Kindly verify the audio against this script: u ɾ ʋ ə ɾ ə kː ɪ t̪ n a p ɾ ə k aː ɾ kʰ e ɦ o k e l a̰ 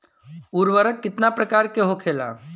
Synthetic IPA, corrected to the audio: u ɾ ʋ ə ɾ ə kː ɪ t̪ n a p ɾ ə k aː ɾ k e ɦ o kʰ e l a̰